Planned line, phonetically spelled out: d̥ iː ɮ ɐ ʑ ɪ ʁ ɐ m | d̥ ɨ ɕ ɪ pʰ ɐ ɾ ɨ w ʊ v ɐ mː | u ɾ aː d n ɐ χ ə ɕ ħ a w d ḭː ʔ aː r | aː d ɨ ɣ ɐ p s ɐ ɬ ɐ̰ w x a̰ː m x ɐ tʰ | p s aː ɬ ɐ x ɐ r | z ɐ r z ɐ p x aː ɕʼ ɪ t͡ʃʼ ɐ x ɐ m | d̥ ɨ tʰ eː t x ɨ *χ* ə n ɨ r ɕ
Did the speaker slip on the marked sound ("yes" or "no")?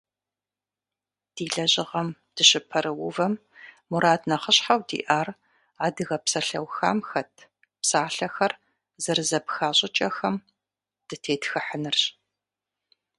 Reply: yes